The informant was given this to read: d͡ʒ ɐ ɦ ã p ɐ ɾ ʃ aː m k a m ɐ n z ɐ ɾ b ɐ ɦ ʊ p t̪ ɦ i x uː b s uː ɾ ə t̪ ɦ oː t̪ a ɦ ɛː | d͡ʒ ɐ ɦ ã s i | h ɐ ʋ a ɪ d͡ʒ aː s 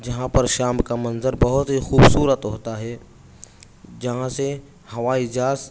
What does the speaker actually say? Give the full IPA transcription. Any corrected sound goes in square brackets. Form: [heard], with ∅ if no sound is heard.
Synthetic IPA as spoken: d͡ʒ ɐ ɦ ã p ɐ ɾ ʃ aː m k a m ɐ n z [ə] ɾ b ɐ ɦ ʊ [∅] t̪ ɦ i x uː b s uː ɾ ə t̪ ɦ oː t̪ a ɦ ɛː | d͡ʒ ɐ ɦ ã s [e] | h ɐ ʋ a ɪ d͡ʒ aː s